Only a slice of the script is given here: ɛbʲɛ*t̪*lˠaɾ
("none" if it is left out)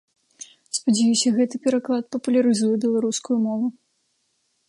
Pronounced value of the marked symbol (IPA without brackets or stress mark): none